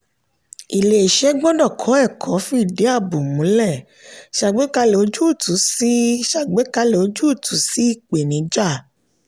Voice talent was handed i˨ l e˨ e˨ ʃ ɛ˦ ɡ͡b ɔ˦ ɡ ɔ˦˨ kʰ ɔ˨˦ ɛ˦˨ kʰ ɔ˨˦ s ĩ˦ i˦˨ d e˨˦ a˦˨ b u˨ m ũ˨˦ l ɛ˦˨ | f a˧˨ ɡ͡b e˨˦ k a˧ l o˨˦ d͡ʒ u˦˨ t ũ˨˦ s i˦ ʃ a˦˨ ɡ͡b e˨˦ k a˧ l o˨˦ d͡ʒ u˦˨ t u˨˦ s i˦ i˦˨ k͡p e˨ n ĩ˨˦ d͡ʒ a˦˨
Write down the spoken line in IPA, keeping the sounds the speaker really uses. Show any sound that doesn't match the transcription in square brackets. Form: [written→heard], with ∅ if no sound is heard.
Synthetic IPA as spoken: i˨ l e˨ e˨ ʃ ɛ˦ ɡ͡b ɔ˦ [ɡ→d] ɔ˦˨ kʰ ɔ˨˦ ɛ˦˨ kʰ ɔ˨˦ [s→f] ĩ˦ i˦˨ d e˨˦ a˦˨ b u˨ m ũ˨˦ l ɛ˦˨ | [f→ʃ] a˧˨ ɡ͡b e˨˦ k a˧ l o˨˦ d͡ʒ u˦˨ t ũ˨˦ s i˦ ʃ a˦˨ ɡ͡b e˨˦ k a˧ l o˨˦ d͡ʒ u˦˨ t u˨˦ s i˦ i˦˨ k͡p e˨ n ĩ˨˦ d͡ʒ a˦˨